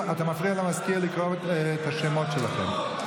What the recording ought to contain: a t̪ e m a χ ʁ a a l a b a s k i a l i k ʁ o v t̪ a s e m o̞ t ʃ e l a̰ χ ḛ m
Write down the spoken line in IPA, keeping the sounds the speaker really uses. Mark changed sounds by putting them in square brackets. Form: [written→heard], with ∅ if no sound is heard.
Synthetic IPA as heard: a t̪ [e→a] m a [χ→f] ʁ [a→i] a l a [b→m] a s k i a l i k ʁ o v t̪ a [s→ʃ] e m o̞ t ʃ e l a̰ χ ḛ m